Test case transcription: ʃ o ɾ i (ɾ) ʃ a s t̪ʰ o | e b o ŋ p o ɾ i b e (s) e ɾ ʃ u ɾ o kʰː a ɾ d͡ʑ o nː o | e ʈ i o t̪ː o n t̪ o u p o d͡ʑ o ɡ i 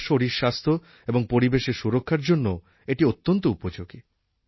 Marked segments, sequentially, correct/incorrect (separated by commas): correct, incorrect